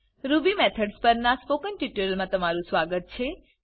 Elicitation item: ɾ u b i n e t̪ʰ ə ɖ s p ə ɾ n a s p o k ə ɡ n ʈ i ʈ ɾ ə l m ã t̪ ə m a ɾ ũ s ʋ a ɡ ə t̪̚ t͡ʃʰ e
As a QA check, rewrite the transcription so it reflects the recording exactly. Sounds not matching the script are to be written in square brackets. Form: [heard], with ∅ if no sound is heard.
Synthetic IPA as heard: ɾ u b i [m] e t̪ʰ ə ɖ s p ə ɾ n a s p o k ə [∅] n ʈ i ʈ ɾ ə l m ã t̪ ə m a ɾ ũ s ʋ a ɡ ə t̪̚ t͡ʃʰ e